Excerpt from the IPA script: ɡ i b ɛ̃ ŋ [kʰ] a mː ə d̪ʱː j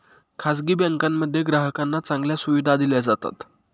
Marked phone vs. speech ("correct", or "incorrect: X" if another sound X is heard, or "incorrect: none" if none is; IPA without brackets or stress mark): incorrect: k